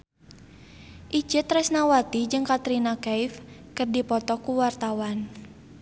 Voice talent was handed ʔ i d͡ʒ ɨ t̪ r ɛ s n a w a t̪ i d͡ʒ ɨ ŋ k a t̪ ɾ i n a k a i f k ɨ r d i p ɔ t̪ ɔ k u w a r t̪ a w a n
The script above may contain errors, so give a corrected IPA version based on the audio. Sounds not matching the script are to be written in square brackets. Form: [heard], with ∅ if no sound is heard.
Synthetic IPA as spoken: ʔ i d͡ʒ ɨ t̪ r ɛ s n a w a t̪ i d͡ʒ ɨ ŋ k a t̪ ɾ i n a k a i f k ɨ r d i p ɔ t̪ ɔ k u w a r t̪ a w a n